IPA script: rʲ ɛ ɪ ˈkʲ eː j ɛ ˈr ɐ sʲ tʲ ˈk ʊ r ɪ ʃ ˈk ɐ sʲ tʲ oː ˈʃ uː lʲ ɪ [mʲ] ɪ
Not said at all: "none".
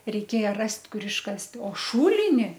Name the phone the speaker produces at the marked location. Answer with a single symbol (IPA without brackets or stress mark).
nʲ